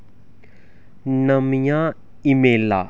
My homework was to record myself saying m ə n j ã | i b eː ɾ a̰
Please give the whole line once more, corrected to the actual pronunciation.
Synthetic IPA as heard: n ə m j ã | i m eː l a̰